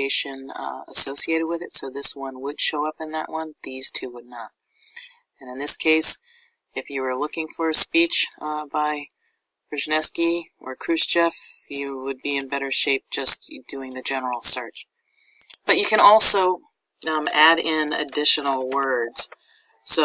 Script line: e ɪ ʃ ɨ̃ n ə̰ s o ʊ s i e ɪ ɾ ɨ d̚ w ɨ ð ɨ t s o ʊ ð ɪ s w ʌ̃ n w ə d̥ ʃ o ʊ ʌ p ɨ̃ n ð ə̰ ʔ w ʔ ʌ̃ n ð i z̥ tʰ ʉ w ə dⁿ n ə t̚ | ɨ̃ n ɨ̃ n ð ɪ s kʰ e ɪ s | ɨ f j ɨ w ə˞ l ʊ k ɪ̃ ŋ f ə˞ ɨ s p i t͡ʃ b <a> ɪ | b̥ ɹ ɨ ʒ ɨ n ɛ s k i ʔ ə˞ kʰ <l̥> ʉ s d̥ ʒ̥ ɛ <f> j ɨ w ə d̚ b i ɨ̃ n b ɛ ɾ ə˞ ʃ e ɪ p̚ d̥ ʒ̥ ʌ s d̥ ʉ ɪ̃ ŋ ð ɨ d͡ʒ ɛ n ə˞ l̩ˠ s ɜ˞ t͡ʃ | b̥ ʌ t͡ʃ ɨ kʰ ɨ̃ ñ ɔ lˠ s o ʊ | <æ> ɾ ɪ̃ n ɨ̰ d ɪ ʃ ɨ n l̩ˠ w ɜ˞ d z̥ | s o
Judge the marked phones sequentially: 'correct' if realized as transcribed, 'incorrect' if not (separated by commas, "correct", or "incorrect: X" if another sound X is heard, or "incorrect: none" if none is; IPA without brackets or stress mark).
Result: correct, incorrect: ɹ̥, correct, correct